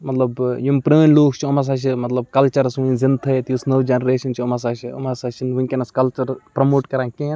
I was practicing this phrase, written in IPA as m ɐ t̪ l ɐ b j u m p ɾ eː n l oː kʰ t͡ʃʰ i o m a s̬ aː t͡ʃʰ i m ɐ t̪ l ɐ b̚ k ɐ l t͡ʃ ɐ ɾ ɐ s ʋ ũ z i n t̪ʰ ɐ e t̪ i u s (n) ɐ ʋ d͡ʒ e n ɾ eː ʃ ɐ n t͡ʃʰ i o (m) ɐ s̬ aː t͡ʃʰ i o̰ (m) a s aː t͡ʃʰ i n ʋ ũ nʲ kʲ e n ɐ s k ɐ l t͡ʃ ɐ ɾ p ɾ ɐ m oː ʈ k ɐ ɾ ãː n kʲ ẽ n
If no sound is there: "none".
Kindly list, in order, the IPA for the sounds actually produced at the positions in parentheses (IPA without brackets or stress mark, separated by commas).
n, m, m